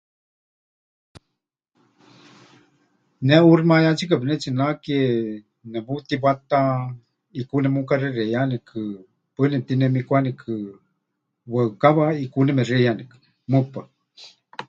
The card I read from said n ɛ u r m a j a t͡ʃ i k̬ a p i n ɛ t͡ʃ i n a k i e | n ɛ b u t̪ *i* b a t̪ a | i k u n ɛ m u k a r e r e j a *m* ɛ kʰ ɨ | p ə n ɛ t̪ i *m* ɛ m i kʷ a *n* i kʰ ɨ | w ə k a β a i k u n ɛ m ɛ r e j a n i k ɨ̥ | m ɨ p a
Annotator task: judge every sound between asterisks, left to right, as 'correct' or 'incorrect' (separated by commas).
correct, incorrect, incorrect, correct